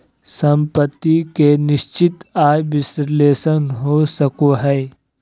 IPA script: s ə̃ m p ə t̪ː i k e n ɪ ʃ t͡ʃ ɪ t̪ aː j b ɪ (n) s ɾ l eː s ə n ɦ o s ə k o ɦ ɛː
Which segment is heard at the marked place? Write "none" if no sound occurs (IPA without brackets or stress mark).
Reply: none